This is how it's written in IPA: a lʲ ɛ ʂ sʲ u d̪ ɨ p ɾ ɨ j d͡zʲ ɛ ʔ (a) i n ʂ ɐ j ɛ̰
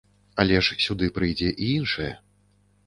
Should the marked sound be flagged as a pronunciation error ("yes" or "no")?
yes